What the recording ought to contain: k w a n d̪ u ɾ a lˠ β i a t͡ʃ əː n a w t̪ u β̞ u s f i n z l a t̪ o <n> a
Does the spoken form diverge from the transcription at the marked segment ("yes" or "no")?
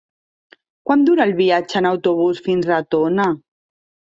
no